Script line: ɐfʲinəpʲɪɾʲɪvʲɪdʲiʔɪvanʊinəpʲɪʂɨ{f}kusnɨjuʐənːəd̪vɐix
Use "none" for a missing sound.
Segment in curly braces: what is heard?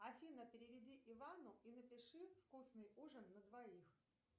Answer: f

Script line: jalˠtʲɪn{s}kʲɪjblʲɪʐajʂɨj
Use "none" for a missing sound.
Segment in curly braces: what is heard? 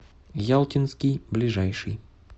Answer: s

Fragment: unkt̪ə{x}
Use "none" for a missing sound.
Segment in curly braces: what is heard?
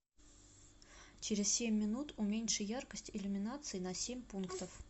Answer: f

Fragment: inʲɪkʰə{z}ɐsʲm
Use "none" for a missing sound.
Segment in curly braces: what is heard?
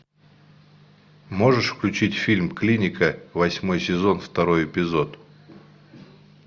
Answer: v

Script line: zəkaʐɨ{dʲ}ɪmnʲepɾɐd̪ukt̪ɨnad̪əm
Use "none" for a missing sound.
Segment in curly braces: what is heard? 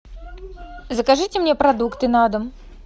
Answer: tʲ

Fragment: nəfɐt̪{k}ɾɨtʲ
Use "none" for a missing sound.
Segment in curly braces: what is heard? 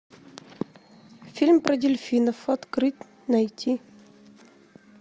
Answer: k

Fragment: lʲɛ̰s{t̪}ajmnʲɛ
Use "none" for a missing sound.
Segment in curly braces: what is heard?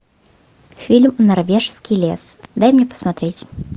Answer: d̪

